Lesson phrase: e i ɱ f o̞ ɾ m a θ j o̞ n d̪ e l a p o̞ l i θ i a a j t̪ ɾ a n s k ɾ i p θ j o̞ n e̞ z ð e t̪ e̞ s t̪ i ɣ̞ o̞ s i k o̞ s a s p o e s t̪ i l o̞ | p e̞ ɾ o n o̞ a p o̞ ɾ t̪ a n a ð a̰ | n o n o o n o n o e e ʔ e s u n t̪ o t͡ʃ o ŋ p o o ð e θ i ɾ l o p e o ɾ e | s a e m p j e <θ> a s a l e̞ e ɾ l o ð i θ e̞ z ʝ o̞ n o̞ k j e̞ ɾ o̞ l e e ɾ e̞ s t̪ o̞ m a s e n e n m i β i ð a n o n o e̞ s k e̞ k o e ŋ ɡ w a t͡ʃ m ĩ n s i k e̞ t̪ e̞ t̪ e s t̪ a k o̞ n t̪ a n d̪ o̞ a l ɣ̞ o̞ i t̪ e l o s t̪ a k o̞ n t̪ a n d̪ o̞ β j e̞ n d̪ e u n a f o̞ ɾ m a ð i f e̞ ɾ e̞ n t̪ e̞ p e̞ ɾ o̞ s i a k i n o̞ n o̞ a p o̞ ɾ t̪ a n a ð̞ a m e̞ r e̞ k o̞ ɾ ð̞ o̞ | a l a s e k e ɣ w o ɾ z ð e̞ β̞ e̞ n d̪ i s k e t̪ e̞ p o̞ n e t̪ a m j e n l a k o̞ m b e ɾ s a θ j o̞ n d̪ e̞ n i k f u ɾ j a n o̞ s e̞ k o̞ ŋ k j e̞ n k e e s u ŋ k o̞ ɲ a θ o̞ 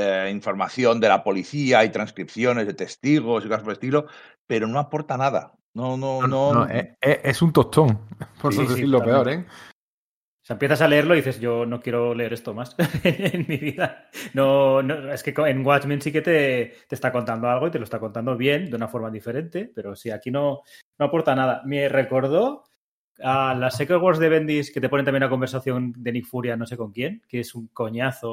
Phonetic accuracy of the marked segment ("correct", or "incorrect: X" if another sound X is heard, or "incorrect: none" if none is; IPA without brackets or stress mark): correct